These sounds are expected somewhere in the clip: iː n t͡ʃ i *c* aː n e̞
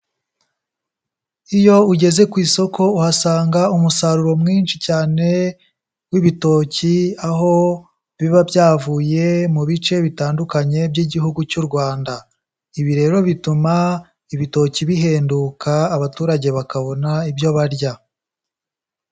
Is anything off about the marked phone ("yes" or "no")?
no